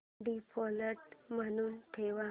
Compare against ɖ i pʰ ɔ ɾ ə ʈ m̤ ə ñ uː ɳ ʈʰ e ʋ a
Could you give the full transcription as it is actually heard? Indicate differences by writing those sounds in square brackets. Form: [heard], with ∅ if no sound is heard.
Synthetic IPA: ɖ i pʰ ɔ [l] ə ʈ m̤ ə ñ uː [n] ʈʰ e ʋ a